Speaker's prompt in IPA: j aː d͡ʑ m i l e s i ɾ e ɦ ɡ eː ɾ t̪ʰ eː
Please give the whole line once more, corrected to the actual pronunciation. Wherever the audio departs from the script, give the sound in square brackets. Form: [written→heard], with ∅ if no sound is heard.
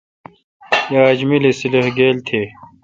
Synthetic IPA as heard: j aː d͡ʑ m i l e s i [ɾ→l] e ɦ ɡ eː [ɾ→l] t̪ʰ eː